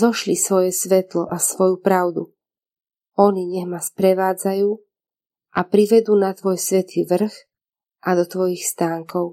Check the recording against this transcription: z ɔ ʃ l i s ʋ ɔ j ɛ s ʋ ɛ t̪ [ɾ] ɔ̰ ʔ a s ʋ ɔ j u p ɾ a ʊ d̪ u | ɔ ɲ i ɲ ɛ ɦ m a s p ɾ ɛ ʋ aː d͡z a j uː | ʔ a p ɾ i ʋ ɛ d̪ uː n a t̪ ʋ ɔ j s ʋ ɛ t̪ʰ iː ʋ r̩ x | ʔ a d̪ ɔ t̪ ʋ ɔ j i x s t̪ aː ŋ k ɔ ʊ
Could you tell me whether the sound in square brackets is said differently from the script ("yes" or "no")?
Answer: yes